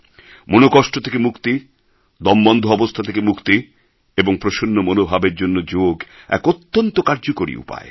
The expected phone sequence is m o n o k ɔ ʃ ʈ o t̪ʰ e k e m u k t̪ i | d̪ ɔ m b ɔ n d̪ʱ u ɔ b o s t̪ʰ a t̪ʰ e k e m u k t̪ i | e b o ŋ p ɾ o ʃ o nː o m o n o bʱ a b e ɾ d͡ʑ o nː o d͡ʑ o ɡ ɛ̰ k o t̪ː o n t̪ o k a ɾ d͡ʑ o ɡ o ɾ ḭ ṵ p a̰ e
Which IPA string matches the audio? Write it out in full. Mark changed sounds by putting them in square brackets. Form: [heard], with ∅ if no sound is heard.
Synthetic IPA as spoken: m o n o k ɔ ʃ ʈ o t̪ʰ e k e m u k t̪ i | d̪ ɔ m b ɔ n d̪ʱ [o] ɔ b o s t̪ʰ a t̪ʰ e k e m u k t̪ i | e b o ŋ p ɾ o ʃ o nː o m o n o bʱ a b e ɾ d͡ʑ o nː o d͡ʑ o ɡ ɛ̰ k o t̪ː o n t̪ o k a ɾ d͡ʑ o [k] o ɾ ḭ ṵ p a̰ e